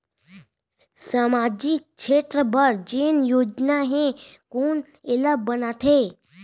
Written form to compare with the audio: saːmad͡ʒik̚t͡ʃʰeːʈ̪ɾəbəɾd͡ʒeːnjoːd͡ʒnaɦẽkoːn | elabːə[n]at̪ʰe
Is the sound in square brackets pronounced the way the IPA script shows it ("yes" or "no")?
yes